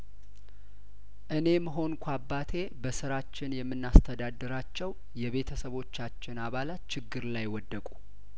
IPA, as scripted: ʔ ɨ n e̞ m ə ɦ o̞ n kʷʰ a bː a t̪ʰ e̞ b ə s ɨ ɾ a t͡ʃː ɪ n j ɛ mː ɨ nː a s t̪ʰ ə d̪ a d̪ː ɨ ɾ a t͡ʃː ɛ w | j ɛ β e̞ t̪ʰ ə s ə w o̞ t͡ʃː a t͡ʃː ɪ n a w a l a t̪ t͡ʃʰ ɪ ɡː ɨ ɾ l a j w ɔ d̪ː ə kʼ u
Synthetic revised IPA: ʔ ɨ n e̞ m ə ɦ o̞ n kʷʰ a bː a t̪ʰ e̞ b ə s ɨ ɾ a t͡ʃː ɪ n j ɛ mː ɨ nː a s t̪ʰ ə d̪ a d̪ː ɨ ɾ a t͡ʃː ɛ w | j ɛ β e̞ t̪ʰ ə s ə β o̞ t͡ʃː a t͡ʃː ɪ n a β a l a t̪ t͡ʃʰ ɪ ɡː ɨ ɾ l a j w ɔ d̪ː ə kʼ u